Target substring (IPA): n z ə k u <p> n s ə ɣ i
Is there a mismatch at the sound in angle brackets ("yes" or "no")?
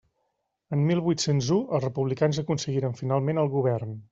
yes